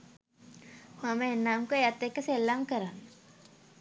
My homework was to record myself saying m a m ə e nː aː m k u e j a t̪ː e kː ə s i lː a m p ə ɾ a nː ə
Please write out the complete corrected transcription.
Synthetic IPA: m a m ə e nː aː m k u e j a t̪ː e kː ə s e lː a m k ə ɾ a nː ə